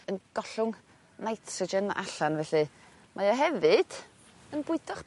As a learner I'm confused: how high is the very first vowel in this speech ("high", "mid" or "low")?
mid